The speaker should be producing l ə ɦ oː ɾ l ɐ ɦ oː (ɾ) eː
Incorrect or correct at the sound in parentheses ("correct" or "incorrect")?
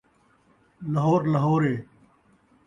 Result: correct